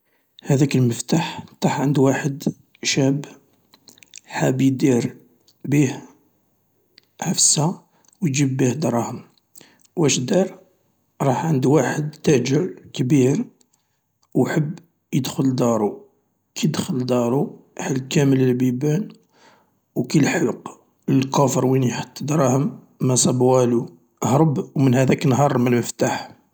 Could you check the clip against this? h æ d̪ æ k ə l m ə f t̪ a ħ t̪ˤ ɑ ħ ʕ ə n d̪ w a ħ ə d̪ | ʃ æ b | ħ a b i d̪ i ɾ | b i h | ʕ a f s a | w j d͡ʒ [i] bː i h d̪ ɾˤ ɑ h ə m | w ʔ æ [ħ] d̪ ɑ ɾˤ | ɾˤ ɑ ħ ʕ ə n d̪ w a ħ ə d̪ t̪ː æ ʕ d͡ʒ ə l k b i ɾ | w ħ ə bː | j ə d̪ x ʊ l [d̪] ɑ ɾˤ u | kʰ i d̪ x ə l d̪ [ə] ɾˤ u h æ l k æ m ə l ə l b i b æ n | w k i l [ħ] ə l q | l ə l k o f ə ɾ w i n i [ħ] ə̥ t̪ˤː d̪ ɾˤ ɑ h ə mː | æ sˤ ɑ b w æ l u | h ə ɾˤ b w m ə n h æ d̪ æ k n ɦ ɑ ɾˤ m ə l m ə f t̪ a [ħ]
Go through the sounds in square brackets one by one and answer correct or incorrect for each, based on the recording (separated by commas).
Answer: correct, incorrect, correct, incorrect, correct, correct, correct